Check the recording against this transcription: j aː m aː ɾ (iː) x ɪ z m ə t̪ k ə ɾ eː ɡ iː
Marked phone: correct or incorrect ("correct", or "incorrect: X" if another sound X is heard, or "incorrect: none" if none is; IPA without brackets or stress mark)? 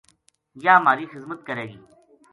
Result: correct